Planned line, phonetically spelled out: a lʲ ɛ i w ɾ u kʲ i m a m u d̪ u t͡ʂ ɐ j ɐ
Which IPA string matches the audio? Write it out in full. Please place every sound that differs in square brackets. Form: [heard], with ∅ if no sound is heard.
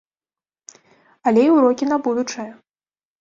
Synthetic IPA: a lʲ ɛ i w ɾ [ɔ] kʲ i [n] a [b] u d̪ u t͡ʂ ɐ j ɐ

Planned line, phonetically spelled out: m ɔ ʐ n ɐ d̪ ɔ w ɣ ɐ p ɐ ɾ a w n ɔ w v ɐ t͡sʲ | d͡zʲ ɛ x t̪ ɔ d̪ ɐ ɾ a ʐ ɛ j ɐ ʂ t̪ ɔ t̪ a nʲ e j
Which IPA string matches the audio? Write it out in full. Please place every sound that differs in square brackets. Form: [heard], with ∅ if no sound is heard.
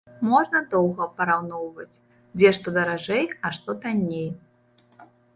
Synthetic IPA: m ɔ ʐ n ɐ d̪ ɔ w ɣ ɐ p ɐ ɾ a w n ɔ w v ɐ t͡sʲ | d͡zʲ ɛ [ʂ] t̪ ɔ d̪ ɐ ɾ a ʐ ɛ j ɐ ʂ t̪ ɔ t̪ a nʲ e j

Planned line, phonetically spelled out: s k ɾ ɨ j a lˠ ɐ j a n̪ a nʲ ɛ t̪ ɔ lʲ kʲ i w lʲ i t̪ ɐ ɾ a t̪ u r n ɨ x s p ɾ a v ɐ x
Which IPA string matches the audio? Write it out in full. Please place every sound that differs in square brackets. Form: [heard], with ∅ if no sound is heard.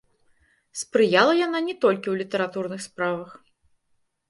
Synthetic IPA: s [p] ɾ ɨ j a lˠ ɐ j a n̪ a nʲ ɛ t̪ ɔ lʲ kʲ i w lʲ i t̪ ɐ ɾ a t̪ u r n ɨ x s p ɾ a v ɐ x

